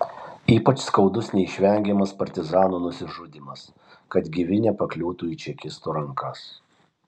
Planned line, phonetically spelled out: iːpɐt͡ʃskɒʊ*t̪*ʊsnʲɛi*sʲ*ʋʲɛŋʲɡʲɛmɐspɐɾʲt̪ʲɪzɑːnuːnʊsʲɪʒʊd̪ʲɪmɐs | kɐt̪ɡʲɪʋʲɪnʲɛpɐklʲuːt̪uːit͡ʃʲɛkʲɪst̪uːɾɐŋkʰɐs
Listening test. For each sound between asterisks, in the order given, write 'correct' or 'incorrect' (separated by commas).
incorrect, incorrect